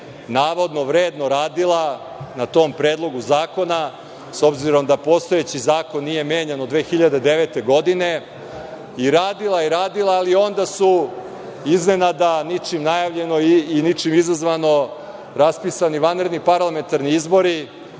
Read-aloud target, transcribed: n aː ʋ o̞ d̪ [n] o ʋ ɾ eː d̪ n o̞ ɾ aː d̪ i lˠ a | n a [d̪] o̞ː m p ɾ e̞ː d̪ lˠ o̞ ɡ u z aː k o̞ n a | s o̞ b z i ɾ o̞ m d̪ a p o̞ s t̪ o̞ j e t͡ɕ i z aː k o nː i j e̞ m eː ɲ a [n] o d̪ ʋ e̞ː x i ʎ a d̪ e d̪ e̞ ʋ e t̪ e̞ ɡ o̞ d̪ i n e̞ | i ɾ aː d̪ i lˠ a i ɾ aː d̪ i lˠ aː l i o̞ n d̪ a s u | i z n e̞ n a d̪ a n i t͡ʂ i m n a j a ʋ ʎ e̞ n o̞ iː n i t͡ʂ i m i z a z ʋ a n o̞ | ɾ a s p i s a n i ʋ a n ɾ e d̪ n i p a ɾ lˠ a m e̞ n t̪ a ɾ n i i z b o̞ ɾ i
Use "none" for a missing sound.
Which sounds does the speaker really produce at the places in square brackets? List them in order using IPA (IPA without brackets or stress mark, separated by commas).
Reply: n, t̪, n